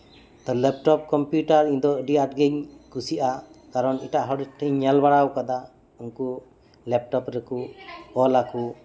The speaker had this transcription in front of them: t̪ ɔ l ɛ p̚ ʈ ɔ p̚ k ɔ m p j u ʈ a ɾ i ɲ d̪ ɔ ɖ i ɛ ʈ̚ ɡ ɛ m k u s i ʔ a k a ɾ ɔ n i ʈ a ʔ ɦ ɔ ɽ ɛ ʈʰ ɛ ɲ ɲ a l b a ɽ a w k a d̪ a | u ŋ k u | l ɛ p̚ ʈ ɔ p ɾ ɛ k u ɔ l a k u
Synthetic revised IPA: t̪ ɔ l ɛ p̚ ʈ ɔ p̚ k ɔ m p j u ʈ a ɾ i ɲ d̪ ɔ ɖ i a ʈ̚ ɡ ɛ ɲ k u s i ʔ a k a ɾ ɔ n i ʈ a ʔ ɦ ɔ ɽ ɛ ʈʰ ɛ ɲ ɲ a l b a ɽ a w k a d̪ a | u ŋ k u | l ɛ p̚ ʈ ɔ p ɾ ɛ k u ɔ l a k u